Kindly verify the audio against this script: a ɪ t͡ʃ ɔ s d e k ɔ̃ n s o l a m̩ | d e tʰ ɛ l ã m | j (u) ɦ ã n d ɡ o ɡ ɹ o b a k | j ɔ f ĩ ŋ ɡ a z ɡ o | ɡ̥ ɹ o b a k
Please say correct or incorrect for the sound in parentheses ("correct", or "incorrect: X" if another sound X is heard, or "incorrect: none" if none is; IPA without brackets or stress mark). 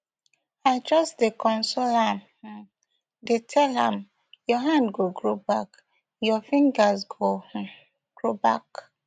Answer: incorrect: ɔ